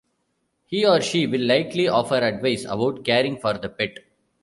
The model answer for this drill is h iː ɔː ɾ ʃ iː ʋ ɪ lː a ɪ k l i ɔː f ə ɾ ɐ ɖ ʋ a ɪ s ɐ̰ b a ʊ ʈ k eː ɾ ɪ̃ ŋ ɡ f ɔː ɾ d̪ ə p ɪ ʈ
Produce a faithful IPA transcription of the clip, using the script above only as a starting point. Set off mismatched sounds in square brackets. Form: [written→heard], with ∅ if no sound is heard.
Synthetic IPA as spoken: h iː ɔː ɾ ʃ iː ʋ ɪ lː a ɪ k l i ɔː f ə ɾ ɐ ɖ ʋ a ɪ s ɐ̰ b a ʊ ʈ k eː ɾ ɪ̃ ŋ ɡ f ɔː ɾ d̪ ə p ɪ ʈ